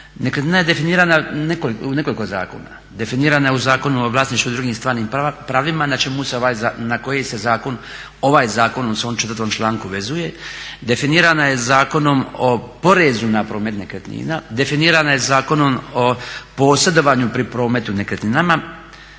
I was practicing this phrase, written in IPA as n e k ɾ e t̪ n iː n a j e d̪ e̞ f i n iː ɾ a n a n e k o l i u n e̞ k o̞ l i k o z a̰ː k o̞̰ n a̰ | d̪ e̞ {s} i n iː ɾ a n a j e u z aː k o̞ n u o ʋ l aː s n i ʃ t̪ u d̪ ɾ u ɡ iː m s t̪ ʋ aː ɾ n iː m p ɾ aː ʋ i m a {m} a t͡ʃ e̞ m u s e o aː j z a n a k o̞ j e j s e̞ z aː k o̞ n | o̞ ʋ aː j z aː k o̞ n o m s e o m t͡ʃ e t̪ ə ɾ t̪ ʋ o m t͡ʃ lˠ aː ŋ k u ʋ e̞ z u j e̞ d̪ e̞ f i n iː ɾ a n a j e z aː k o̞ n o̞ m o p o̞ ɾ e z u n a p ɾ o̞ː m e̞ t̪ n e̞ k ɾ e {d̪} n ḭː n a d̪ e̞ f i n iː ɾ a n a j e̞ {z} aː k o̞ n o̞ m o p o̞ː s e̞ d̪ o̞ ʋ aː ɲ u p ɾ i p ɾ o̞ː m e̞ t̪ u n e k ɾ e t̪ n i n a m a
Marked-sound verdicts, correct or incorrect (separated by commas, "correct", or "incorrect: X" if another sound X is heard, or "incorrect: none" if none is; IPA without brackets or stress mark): incorrect: f, incorrect: n, incorrect: t̪, correct